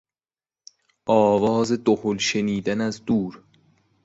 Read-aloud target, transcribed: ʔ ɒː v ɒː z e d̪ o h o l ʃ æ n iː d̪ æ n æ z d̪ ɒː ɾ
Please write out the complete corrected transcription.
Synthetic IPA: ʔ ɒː v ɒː z e d̪ o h o l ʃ e n iː d̪ æ n æ z d̪ uː ɾ